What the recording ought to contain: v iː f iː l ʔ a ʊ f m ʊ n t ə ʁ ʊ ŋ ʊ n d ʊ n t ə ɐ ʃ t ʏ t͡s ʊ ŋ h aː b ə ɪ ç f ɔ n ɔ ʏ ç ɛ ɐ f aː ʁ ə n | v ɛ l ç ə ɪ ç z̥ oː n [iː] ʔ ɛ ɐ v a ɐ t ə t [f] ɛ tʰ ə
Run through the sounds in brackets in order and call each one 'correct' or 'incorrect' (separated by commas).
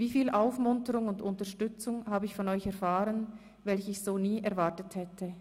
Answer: correct, incorrect